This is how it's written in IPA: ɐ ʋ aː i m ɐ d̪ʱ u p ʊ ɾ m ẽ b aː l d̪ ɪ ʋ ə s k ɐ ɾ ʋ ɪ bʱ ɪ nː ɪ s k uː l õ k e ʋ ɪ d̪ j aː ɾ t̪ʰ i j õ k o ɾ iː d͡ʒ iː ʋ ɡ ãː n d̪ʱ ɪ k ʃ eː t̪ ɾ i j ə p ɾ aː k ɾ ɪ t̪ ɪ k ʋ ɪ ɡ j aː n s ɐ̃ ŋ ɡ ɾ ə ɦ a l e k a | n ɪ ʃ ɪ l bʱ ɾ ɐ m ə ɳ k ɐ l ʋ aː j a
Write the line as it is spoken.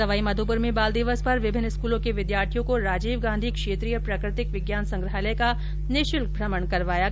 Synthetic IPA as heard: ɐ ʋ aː i m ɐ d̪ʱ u p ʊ ɾ m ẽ b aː l d̪ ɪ ʋ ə s p ɐ ɾ ʋ ɪ bʱ ɪ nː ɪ s k uː l õ k e ʋ ɪ d̪ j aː ɾ t̪ʰ i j õ k o ɾ aː d͡ʒ iː ʋ ɡ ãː n d̪ʱ i k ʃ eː t̪ ɾ i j ə p ɾ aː k ɾ ɪ t̪ ɪ k ʋ ɪ ɡ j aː n s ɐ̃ ŋ ɡ ɾ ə ɦ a l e k a | n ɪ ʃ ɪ l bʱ ɾ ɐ m ə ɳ k ɐ ɾ ʋ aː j a